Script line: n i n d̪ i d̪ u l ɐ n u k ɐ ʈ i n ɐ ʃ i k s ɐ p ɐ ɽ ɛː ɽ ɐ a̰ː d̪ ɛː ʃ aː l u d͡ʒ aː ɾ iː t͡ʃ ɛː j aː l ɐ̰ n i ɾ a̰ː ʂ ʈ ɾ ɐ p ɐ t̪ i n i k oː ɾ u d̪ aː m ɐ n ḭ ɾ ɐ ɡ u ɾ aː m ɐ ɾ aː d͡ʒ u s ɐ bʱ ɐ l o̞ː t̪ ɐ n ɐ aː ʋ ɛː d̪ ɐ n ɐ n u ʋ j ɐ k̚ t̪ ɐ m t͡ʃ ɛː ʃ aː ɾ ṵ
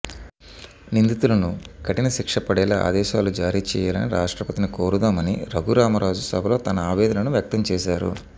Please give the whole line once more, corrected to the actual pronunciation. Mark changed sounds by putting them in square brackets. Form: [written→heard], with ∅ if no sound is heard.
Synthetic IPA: n i n d̪ i [d̪→t̪] u l ɐ n u k ɐ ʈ i n ɐ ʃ i k [s→ʂ] ɐ p ɐ ɽ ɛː [ɽ→l] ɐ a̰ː d̪ ɛː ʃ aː l u d͡ʒ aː ɾ iː t͡ʃ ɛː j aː l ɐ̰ n i ɾ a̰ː ʂ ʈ ɾ ɐ p ɐ t̪ i n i k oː ɾ u d̪ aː m ɐ n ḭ ɾ ɐ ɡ u ɾ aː m ɐ ɾ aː d͡ʒ u s ɐ bʱ ɐ l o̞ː t̪ ɐ n ɐ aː ʋ ɛː d̪ ɐ n ɐ n u ʋ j ɐ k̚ t̪ ɐ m t͡ʃ ɛː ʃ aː ɾ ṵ